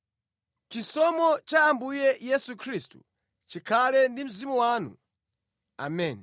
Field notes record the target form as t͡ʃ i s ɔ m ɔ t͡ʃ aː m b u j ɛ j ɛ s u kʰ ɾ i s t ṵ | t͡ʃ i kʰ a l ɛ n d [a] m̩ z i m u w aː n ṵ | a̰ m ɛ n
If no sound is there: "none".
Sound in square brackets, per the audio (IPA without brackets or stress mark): i